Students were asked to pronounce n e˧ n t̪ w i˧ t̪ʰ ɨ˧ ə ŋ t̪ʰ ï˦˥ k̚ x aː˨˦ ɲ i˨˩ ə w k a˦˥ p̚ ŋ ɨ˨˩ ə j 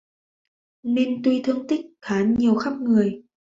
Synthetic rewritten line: n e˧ n t̪ w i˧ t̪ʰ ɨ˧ ə ŋ t̪ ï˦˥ k̚ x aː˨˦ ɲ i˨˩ ə w x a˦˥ p̚ ŋ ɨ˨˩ ə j